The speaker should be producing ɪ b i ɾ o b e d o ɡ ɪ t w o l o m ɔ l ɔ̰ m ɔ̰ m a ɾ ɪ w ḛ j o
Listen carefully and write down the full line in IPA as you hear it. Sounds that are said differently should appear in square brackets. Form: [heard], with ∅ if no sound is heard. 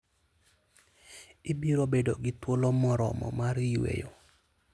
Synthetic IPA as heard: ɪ b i ɾ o b e d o ɡ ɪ t w o l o m ɔ [ɾ] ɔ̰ m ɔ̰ m a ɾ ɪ w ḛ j o